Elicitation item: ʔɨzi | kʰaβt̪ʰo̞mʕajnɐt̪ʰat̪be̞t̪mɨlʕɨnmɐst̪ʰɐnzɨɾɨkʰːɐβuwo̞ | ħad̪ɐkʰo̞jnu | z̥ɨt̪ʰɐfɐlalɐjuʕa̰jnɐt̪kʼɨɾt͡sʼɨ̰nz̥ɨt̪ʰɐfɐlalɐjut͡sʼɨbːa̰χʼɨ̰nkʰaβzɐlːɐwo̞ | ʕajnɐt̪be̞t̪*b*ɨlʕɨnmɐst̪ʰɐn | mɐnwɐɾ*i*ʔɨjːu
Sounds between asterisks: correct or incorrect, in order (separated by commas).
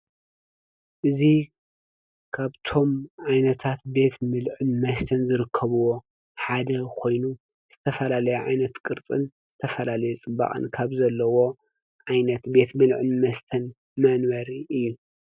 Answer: incorrect, correct